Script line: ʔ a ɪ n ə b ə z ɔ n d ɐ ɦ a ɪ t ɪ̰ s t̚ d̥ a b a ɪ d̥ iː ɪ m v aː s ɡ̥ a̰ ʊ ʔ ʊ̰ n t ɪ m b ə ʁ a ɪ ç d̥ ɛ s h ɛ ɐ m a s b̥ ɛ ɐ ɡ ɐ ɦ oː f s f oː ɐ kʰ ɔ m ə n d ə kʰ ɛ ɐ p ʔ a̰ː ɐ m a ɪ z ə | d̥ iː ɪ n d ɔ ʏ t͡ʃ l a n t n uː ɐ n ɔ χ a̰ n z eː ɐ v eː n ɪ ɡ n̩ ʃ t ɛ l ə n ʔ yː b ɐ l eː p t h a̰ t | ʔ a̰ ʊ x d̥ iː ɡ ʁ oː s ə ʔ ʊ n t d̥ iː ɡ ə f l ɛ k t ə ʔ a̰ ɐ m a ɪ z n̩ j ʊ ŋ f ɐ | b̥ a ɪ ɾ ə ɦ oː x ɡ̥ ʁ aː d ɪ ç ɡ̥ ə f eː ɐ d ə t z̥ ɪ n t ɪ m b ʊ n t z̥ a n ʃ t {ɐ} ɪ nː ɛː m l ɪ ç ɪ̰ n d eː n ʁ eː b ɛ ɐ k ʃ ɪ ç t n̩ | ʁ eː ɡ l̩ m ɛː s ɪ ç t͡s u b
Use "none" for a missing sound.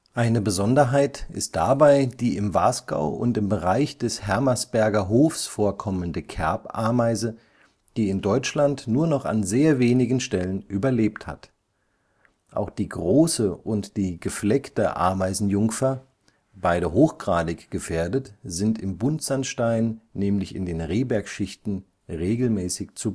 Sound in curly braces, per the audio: a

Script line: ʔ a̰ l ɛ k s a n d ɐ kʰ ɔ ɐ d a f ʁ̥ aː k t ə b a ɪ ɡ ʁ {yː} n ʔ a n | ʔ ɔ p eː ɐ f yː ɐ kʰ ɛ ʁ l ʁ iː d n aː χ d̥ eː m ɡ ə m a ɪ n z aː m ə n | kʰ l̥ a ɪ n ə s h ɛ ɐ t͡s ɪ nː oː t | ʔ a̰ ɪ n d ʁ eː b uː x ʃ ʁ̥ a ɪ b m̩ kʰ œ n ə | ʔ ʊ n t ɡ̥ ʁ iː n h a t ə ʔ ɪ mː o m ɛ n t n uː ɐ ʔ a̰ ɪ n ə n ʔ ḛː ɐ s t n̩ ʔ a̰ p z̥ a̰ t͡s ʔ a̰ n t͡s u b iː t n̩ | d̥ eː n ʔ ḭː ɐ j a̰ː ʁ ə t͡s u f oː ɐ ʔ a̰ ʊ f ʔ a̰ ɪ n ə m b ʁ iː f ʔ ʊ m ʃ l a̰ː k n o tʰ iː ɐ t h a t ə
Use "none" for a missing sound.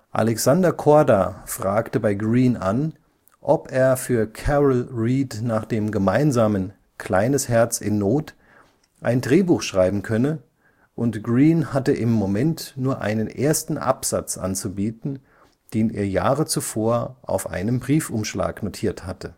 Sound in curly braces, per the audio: iː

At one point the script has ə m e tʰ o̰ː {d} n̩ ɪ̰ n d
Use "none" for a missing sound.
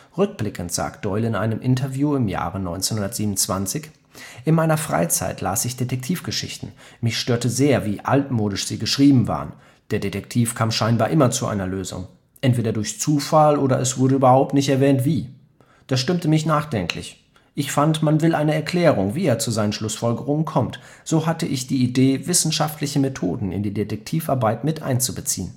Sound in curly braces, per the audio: d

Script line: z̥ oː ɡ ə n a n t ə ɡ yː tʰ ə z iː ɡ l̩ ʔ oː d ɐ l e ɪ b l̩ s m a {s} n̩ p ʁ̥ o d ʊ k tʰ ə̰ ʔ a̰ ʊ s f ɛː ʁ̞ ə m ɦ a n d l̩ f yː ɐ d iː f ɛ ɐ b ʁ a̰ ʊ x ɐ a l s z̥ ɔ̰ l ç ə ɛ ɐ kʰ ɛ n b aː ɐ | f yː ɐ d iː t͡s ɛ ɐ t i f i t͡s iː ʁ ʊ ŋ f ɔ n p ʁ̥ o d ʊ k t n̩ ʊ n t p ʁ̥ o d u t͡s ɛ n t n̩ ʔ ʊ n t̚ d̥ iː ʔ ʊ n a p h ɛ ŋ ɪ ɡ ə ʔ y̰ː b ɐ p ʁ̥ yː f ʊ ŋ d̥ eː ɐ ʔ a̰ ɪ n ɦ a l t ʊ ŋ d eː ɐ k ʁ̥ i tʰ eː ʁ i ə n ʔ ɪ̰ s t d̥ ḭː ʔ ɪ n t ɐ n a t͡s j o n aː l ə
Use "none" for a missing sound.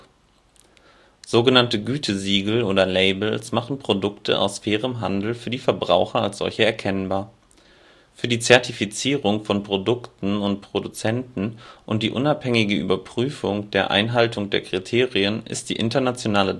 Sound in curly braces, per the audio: χ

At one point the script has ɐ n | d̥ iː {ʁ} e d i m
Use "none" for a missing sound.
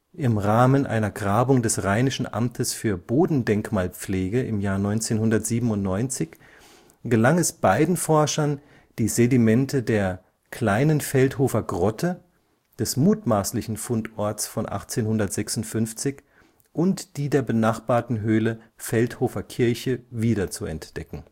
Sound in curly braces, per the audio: z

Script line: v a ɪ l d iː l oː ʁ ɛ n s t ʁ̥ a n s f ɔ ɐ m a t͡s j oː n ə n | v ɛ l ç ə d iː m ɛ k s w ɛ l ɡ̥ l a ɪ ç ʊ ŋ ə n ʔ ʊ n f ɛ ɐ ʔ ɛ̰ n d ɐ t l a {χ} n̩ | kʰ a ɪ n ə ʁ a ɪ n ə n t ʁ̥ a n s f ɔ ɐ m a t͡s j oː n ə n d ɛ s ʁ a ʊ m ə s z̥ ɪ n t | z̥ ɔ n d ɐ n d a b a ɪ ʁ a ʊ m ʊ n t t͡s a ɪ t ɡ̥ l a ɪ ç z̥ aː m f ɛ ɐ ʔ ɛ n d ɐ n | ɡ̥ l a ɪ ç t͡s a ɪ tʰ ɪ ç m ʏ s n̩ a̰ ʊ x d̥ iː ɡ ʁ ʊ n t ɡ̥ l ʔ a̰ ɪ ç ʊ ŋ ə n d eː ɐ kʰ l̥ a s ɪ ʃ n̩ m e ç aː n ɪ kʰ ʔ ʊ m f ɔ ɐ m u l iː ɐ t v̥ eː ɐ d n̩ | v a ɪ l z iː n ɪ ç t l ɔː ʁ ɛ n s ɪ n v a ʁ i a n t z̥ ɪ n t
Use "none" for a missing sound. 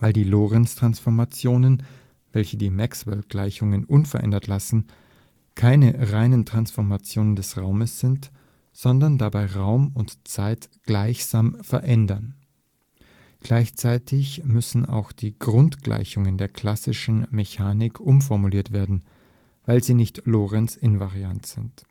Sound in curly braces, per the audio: s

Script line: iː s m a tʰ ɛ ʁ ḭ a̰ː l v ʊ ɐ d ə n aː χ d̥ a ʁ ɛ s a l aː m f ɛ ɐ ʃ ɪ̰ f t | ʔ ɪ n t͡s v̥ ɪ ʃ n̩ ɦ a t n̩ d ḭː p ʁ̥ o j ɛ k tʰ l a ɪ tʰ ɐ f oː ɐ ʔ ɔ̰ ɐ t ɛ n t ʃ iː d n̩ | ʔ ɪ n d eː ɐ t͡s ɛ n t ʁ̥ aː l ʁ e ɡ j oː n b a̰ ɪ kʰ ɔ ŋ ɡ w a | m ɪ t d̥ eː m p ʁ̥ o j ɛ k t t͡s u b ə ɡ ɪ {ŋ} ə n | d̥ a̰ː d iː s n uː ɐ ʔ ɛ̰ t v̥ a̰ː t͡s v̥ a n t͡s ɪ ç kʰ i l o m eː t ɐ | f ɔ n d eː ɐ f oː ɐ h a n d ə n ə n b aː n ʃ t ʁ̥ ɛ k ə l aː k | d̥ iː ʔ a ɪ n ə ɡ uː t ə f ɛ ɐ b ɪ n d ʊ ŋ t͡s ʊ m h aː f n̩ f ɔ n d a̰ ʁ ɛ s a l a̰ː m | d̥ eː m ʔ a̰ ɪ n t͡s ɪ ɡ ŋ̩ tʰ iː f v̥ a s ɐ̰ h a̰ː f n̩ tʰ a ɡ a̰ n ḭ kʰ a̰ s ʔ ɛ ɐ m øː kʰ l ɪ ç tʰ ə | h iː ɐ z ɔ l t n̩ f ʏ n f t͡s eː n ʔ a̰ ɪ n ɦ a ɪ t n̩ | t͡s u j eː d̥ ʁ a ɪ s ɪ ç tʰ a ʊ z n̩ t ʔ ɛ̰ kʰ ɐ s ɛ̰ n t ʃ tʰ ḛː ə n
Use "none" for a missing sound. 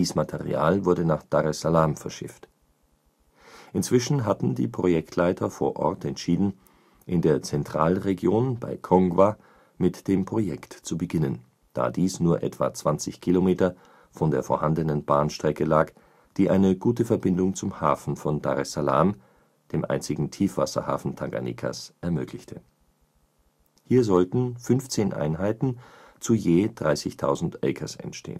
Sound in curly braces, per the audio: n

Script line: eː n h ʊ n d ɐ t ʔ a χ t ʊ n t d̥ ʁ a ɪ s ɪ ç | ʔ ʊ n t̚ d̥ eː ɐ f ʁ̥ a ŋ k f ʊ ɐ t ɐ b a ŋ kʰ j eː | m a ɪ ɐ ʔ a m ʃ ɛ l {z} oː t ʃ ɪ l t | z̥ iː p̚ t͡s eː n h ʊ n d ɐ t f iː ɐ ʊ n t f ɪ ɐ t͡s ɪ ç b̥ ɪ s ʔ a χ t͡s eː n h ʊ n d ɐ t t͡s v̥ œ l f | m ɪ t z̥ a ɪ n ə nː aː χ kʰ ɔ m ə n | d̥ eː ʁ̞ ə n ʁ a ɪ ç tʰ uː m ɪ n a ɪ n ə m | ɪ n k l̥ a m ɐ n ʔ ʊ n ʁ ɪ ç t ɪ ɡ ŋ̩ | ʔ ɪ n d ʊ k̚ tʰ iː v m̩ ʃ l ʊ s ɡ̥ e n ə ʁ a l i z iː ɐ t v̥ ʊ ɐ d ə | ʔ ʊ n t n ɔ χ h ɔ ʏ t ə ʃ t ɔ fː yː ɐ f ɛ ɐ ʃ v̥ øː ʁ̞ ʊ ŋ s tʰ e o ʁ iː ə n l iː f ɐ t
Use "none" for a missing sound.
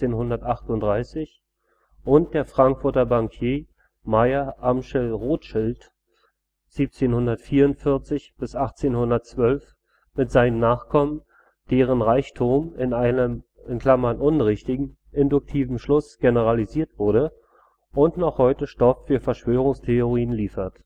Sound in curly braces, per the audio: ʁ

